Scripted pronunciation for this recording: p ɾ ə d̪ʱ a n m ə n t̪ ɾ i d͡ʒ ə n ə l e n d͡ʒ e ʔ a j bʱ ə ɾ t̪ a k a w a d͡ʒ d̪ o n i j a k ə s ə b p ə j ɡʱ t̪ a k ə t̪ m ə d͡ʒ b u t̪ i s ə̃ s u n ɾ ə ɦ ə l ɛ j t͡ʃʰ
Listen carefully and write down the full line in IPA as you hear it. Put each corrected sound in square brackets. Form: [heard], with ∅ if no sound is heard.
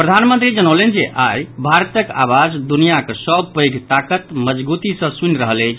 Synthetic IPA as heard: p ɾ ə d̪ʱ a n m ə n t̪ ɾ i d͡ʒ ə n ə l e n d͡ʒ e ʔ a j bʱ [a] ɾ t̪ [ə] k a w a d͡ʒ d̪ [u] n i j a k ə s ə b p ə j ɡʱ t̪ a k ə t̪ m ə d͡ʒ b u t̪ i s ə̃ s u n ɾ ə ɦ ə l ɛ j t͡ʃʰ

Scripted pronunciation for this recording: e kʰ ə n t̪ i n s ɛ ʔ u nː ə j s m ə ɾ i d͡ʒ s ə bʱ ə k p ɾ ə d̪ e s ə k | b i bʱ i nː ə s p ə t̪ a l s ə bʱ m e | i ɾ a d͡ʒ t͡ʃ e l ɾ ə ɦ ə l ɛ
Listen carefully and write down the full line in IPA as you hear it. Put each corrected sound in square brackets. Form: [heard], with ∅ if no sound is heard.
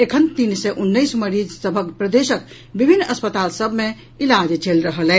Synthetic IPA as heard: e kʰ ə n t̪ i n s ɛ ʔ u nː ə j s m ə ɾ i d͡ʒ s ə bʱ ə k p ɾ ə d̪ e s ə k | b i bʱ i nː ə s p ə t̪ a l s ə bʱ m e | i [l] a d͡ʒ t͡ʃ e l ɾ ə ɦ ə l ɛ

